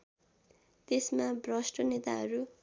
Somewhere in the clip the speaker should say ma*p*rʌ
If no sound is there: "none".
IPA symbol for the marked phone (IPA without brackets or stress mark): b